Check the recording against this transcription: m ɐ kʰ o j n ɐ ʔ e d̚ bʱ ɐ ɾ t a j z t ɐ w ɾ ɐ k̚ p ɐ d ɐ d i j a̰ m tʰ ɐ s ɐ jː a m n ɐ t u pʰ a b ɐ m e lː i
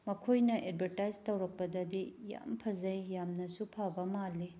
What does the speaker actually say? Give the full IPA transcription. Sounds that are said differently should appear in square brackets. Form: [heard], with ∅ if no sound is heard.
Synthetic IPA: m ɐ kʰ o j n ɐ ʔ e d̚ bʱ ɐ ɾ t a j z t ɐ w ɾ ɐ k̚ p ɐ d ɐ d i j a̰ m [pʰ] ɐ [z] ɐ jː a m n ɐ [s] u pʰ a b ɐ m [a] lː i